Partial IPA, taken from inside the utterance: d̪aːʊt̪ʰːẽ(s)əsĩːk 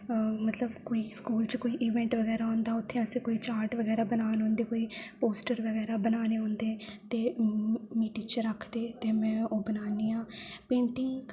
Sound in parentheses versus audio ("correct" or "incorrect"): incorrect